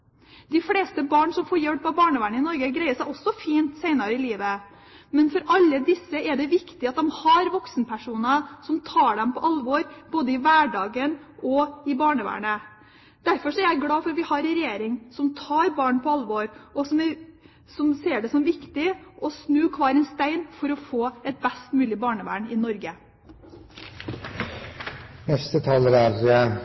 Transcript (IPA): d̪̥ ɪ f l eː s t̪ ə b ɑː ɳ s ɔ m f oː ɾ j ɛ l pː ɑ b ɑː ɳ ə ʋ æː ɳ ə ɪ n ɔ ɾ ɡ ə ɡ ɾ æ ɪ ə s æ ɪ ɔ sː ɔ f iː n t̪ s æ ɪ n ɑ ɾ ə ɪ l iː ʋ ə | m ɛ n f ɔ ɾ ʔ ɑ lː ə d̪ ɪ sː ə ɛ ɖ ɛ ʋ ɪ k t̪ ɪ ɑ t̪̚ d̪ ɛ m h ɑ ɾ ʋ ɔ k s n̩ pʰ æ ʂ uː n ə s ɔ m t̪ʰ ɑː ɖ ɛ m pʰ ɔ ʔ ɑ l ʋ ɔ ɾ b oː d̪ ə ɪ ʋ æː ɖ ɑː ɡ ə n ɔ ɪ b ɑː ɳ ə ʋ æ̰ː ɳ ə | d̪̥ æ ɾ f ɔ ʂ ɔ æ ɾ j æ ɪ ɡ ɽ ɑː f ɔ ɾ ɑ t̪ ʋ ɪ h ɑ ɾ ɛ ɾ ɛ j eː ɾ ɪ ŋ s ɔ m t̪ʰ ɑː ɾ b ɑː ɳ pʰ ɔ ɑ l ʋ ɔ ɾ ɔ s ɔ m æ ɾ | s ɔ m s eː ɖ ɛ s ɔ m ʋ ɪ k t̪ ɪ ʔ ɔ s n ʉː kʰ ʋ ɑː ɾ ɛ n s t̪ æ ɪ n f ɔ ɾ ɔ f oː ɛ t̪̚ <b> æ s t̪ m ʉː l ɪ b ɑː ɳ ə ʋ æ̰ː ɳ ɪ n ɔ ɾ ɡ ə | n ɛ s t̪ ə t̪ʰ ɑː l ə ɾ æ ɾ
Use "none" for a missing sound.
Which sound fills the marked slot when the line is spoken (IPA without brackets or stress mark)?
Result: b